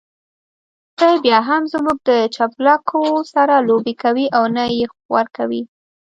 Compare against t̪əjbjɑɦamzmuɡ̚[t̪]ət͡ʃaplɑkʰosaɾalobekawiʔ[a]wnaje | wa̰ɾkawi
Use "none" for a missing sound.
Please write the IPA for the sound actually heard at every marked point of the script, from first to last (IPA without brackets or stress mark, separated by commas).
d̪, a